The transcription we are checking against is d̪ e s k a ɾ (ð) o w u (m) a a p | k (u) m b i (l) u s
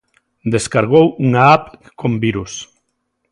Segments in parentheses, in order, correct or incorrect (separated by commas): incorrect, incorrect, incorrect, incorrect